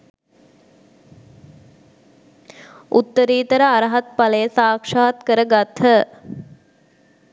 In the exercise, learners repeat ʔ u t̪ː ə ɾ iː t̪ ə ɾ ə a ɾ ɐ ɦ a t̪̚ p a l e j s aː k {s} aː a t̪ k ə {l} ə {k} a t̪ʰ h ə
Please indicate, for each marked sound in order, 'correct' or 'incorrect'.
incorrect: ʂ, incorrect: ɾ, incorrect: ɡ

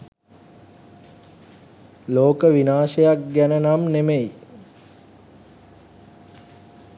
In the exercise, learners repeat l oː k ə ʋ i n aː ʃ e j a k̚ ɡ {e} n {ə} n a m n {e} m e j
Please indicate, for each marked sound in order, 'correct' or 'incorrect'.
incorrect: æ, correct, correct

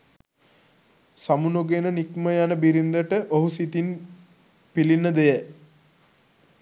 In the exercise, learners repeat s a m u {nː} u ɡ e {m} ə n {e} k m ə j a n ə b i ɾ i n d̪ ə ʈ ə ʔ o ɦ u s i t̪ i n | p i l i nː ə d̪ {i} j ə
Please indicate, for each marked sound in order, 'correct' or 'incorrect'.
incorrect: n, incorrect: n, incorrect: i, incorrect: e

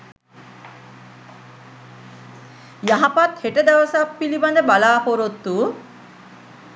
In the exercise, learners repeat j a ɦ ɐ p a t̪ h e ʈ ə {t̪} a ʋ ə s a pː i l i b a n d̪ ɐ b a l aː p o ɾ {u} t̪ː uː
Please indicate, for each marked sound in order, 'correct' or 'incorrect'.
incorrect: d̪, incorrect: o

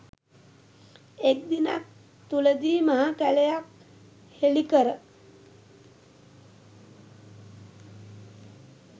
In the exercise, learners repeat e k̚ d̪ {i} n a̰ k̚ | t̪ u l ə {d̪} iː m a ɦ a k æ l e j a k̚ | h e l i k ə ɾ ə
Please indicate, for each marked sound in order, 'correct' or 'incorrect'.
correct, correct

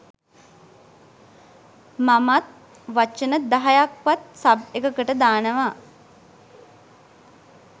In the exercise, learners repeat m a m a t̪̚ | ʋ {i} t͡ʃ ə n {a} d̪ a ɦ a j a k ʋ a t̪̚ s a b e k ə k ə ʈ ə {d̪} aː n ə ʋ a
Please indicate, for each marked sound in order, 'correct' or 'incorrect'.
incorrect: a, incorrect: ə, correct

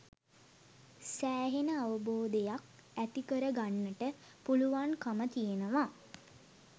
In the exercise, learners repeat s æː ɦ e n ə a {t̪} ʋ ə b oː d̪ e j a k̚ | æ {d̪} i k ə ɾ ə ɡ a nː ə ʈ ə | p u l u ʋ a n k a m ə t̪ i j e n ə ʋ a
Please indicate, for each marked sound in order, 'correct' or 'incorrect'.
incorrect: none, incorrect: t̪

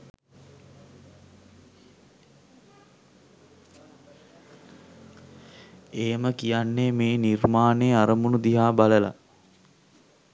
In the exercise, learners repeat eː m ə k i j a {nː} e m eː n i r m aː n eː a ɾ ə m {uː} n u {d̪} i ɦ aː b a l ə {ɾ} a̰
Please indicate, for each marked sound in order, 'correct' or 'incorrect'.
correct, incorrect: u, correct, incorrect: l

